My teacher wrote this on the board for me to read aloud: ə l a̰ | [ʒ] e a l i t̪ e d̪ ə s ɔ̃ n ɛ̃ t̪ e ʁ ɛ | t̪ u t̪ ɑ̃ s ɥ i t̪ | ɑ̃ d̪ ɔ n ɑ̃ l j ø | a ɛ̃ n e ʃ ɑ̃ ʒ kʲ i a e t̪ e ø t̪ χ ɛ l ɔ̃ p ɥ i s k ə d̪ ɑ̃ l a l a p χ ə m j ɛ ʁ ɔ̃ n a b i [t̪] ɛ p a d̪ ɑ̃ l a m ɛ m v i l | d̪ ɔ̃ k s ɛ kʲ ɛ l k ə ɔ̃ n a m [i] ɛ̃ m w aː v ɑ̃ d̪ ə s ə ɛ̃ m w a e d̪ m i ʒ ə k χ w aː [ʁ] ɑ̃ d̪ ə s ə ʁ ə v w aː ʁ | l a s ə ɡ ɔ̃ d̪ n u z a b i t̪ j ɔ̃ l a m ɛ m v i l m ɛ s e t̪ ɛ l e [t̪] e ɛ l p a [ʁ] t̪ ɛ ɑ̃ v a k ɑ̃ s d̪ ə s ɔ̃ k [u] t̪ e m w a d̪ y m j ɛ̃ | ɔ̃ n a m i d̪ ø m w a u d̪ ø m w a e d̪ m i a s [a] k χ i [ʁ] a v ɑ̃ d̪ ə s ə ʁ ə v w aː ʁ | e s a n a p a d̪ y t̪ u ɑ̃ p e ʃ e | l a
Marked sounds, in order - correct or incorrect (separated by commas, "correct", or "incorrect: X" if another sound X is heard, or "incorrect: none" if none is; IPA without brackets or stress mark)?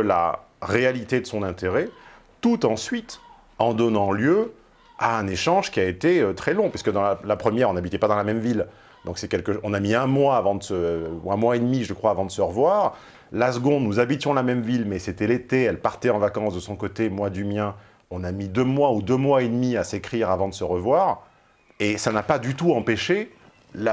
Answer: incorrect: ʁ, correct, correct, incorrect: v, correct, correct, incorrect: o, incorrect: e, correct